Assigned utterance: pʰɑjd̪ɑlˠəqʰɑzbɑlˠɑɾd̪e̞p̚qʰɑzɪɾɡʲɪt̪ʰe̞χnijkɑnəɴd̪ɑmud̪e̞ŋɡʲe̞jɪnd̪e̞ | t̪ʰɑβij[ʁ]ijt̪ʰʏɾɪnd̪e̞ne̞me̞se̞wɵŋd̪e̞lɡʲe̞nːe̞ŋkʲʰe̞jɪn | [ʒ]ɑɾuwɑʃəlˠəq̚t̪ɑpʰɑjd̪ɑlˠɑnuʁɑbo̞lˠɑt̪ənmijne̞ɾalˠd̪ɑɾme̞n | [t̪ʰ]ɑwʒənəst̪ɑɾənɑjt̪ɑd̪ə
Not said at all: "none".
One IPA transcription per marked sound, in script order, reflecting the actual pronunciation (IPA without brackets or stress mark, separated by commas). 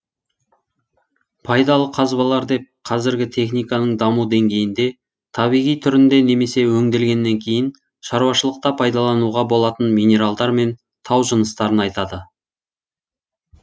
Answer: ʁ, ʃ, t̪ʰ